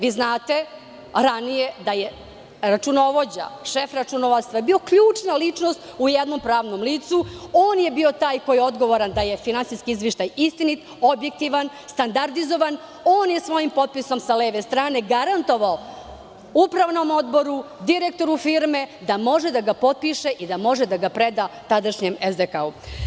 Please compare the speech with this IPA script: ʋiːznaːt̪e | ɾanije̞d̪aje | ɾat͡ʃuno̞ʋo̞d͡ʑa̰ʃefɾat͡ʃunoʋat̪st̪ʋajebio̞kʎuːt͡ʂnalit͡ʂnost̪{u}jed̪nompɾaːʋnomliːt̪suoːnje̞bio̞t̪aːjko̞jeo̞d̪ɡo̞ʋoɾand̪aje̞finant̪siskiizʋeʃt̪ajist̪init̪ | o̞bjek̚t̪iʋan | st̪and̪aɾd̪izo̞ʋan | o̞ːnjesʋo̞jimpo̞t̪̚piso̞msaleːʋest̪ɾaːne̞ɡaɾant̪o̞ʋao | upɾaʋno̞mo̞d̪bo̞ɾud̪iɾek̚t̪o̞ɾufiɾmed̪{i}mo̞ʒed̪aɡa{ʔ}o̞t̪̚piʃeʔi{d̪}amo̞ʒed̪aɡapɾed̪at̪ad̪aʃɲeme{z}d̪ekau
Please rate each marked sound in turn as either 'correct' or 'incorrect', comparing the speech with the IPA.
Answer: correct, incorrect, incorrect, correct, correct

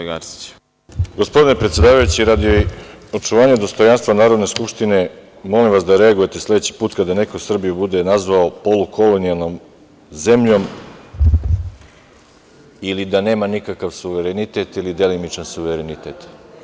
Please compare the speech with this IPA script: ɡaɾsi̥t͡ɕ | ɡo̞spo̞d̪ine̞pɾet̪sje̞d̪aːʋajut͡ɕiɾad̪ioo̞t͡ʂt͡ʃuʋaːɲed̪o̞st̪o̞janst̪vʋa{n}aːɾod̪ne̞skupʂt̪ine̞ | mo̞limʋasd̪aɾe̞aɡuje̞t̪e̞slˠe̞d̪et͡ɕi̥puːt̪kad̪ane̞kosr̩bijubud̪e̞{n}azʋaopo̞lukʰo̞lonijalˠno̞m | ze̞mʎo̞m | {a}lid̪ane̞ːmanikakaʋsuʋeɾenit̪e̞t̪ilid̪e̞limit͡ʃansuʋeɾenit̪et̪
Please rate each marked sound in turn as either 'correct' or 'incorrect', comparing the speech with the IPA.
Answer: correct, correct, incorrect

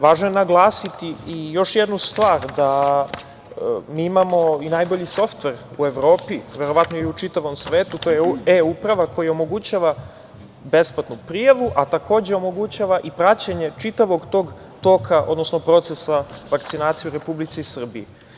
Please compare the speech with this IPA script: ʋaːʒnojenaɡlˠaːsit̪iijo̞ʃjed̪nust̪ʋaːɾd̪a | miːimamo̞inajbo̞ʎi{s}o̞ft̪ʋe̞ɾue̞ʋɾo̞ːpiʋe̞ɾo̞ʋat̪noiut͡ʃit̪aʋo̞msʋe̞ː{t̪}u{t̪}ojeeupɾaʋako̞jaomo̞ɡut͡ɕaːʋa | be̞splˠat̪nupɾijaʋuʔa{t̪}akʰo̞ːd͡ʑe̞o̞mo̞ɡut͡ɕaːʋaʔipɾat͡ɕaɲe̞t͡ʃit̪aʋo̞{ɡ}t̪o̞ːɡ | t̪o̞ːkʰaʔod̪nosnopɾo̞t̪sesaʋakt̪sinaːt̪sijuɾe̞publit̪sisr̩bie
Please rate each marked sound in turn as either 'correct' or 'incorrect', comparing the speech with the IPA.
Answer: correct, correct, correct, correct, correct

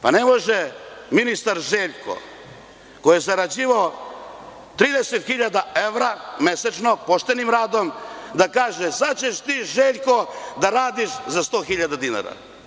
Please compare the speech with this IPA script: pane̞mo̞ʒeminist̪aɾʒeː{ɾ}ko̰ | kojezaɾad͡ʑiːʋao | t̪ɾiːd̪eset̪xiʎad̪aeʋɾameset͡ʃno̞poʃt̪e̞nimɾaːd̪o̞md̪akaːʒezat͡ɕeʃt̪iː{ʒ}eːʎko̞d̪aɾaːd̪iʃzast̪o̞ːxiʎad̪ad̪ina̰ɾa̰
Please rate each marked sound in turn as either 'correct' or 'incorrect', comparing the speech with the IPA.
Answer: incorrect, correct

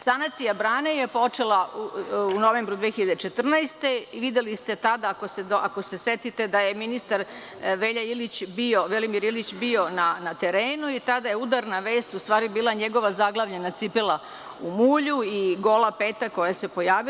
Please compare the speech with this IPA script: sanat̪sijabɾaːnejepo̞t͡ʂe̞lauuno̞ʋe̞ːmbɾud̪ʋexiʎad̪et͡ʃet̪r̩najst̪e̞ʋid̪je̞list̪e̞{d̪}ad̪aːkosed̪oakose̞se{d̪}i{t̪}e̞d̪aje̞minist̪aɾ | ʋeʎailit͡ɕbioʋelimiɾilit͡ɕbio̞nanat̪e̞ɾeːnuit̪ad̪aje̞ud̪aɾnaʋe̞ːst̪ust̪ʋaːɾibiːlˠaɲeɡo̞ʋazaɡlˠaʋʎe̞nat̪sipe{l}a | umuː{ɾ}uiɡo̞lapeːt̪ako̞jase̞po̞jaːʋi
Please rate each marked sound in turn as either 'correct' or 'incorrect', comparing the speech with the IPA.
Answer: incorrect, incorrect, correct, correct, incorrect

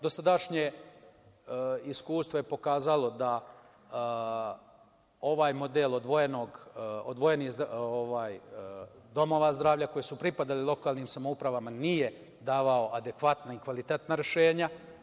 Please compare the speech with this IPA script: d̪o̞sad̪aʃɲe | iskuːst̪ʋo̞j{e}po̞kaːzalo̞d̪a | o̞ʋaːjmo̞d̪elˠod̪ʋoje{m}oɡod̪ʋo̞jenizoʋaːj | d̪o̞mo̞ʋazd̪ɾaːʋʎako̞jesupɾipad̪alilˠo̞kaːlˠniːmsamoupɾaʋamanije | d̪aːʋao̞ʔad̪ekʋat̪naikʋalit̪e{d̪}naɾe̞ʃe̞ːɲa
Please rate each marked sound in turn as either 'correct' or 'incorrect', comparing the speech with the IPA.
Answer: correct, incorrect, incorrect

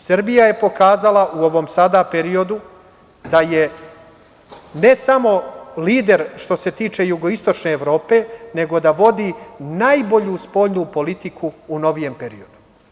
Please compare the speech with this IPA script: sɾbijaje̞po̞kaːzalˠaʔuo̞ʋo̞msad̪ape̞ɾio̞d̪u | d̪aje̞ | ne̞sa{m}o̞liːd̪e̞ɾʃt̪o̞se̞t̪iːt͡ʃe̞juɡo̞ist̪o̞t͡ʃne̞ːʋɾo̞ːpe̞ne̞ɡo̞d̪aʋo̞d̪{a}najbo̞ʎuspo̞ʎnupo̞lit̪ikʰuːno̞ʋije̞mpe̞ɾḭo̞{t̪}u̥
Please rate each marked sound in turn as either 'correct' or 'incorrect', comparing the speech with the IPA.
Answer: correct, incorrect, incorrect

